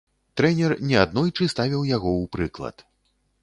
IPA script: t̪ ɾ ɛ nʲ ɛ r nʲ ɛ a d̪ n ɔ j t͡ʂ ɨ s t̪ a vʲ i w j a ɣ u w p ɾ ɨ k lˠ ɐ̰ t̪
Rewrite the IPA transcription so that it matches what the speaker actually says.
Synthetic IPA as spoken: t̪ ɾ ɛ nʲ ɛ r nʲ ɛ a d̪ n ɔ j t͡ʂ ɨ s t̪ a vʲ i w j a ɣ ɔ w p ɾ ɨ k lˠ ɐ̰ t̪